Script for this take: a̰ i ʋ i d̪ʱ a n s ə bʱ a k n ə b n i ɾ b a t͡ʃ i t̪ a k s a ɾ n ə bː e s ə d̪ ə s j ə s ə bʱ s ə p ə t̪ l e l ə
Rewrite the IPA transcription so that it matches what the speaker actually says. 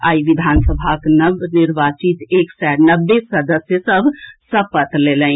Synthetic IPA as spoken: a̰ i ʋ i d̪ʱ a n s ə bʱ a k n ə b n i ɾ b a t͡ʃ i t̪ e k s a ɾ n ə bː e s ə d̪ ə s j ə s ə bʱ s ə p ə t̪ l e l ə